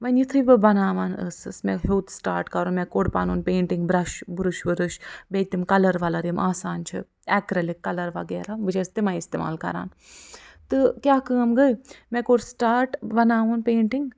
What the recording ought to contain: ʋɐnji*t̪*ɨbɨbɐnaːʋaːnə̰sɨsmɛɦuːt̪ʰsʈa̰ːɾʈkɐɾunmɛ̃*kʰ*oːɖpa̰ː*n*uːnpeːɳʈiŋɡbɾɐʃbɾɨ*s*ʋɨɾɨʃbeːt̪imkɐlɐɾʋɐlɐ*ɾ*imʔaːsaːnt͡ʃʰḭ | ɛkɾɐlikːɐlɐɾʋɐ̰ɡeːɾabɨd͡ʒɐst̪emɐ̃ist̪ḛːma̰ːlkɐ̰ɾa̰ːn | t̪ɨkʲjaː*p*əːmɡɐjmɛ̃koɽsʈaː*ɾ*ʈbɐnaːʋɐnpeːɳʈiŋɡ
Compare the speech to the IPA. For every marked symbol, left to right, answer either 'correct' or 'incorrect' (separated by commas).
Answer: incorrect, incorrect, correct, incorrect, correct, incorrect, correct